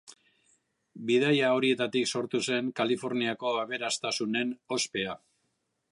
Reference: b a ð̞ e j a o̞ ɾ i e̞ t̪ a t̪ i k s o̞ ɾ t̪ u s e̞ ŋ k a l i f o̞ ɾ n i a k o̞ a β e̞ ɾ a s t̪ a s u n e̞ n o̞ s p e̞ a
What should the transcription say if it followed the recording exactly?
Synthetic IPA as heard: b i ð̞ a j a o̞ ɾ i e̞ t̪ a t̪ i k s o̞ ɾ t̪ u s e̞ ŋ k a l i f o̞ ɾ n i a k o̞ a β e̞ ɾ a s t̪ a s u n e̞ n o̞ s p e̞ a